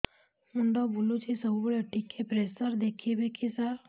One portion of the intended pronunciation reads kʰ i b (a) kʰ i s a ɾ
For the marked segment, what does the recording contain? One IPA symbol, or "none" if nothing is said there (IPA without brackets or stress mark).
e